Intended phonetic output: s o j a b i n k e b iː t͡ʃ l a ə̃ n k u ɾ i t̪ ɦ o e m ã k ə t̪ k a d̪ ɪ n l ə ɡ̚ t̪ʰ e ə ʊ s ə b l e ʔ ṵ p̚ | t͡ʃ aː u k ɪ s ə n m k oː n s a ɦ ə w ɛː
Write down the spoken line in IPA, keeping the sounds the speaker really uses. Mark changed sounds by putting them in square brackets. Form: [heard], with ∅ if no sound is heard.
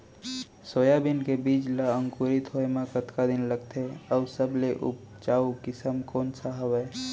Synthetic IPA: s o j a b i n k e b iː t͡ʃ l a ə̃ [ŋ] k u ɾ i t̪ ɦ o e m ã k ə t̪ k a d̪ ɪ n l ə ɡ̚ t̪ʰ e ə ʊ s ə b l e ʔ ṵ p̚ | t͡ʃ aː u k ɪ s ə [∅] m k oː n s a ɦ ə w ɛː